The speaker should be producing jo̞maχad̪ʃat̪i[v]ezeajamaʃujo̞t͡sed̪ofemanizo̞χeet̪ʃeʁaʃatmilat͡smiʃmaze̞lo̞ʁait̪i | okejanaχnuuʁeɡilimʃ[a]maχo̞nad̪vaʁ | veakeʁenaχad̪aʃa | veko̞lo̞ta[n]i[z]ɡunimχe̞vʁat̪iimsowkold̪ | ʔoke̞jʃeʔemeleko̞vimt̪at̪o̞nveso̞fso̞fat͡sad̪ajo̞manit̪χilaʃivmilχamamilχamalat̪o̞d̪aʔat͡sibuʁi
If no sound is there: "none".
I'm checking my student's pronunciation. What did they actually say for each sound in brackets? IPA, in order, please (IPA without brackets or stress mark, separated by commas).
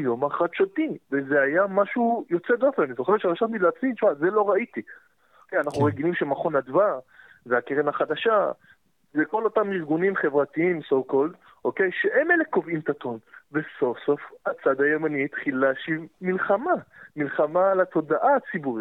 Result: v, e, m, ʁ